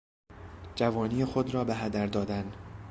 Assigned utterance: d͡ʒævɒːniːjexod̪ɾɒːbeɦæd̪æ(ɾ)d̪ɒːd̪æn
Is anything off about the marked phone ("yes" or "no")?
no